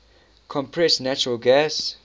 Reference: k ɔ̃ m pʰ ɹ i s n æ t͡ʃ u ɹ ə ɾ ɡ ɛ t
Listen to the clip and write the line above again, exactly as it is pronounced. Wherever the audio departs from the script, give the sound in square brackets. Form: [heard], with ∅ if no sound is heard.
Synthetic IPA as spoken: [kʰ] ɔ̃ m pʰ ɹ [ɛ] s n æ t͡ʃ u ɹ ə [l] ɡ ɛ [s]